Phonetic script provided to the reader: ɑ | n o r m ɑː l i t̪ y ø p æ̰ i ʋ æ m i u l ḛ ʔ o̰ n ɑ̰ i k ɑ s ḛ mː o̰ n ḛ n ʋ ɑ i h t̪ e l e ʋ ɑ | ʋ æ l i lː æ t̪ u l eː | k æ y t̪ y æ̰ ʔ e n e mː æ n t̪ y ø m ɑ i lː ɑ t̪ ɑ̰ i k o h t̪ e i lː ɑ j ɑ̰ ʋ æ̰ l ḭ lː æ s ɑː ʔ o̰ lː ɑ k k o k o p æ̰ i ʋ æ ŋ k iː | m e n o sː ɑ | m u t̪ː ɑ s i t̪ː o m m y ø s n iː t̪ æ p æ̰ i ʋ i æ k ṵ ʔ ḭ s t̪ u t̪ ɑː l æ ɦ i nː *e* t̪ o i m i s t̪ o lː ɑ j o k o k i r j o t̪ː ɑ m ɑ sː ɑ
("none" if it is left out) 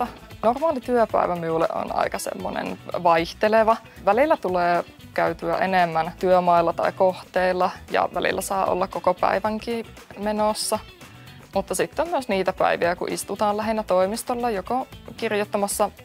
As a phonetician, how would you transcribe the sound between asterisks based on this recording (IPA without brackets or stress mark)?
æ